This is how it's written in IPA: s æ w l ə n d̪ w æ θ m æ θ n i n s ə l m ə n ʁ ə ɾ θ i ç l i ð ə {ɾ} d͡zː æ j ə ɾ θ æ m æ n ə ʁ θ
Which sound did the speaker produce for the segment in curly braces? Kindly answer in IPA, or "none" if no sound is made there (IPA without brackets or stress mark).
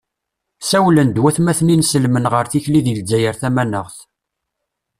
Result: l